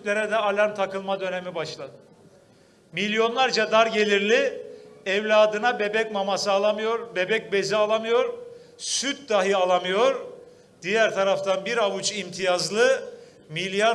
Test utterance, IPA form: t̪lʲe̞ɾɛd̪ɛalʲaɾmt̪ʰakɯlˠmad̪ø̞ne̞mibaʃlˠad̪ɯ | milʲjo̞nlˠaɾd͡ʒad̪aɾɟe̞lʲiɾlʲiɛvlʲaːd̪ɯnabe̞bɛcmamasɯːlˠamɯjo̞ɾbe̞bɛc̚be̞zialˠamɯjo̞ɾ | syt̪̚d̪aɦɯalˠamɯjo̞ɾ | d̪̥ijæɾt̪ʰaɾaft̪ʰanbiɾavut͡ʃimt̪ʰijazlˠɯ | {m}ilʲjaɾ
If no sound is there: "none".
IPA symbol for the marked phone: m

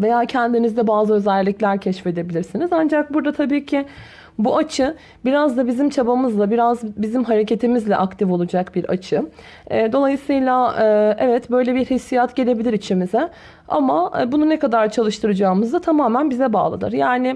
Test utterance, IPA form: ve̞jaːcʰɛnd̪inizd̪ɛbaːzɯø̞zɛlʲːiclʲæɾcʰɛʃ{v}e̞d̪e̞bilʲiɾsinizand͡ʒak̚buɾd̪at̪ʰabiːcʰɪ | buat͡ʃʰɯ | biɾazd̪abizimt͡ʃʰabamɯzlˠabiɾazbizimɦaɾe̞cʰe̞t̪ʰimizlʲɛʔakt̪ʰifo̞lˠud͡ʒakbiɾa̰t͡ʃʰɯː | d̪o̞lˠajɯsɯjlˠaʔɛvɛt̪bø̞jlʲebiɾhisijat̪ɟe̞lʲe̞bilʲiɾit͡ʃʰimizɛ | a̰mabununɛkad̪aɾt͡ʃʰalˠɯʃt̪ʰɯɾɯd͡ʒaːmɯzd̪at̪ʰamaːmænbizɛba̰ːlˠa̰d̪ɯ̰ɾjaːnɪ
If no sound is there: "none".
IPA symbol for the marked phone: f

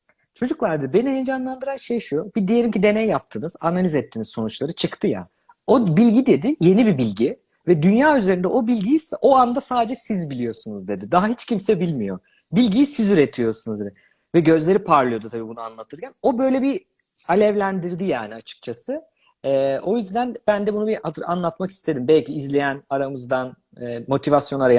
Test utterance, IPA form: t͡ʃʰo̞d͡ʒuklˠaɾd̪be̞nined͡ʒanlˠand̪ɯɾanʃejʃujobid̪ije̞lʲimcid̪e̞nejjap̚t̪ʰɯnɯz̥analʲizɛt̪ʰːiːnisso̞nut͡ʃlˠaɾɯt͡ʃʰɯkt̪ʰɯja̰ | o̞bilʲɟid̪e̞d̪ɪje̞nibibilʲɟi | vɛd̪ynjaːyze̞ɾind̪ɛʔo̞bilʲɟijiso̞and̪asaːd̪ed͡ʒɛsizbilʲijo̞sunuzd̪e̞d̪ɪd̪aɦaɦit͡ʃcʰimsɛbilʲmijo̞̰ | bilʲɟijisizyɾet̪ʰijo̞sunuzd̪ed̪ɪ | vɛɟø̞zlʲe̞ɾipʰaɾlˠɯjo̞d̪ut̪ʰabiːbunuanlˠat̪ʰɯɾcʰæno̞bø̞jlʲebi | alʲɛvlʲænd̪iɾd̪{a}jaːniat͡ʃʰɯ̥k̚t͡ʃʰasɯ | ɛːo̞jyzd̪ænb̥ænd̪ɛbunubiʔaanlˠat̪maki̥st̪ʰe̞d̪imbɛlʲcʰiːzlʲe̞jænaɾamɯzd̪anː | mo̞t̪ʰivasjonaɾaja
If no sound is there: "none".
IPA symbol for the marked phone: i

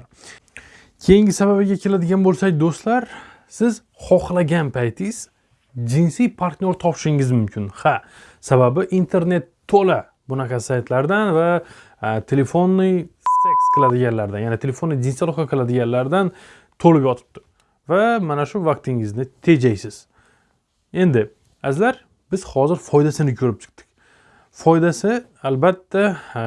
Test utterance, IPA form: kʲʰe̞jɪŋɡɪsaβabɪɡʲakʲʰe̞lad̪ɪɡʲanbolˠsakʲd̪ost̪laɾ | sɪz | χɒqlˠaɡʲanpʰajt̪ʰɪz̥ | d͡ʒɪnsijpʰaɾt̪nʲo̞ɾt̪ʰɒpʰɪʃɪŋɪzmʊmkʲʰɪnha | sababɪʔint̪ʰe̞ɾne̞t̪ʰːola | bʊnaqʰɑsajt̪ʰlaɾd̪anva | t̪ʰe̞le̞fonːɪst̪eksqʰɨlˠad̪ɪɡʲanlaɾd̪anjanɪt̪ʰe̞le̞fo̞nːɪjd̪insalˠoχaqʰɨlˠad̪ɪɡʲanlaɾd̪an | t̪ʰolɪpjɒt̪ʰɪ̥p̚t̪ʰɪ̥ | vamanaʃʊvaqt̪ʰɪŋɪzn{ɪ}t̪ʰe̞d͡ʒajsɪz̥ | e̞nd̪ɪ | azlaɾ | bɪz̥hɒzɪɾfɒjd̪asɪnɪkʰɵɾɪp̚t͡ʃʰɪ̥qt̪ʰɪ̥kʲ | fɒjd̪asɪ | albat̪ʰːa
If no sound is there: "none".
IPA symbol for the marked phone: ɪ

